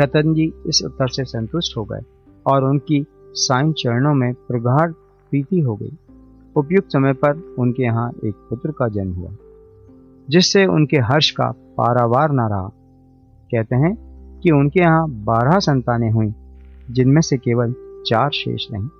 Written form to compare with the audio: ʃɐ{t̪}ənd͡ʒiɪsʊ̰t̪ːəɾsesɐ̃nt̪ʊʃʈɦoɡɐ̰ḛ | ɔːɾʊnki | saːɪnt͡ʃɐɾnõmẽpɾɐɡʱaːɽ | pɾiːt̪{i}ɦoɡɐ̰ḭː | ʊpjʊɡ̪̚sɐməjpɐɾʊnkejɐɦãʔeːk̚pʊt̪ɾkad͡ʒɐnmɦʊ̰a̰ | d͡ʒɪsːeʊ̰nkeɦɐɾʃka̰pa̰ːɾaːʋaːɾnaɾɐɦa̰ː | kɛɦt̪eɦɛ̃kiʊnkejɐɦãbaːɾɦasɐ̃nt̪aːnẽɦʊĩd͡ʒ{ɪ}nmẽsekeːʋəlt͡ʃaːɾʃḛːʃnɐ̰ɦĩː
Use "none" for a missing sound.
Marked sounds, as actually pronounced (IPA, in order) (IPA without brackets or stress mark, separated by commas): t̪, i, ɪ